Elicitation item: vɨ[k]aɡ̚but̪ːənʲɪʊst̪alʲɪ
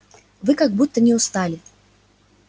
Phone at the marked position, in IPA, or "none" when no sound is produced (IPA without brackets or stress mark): k